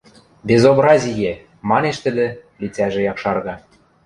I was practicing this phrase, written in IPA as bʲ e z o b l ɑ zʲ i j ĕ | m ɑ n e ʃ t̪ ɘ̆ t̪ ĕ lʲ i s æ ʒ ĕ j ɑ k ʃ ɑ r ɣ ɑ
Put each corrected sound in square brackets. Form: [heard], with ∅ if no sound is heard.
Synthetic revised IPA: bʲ e z o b [ɾ] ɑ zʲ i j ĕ | m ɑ n e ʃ t̪ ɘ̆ [d̪] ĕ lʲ i [t͡s] æ ʒ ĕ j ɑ k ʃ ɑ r ɣ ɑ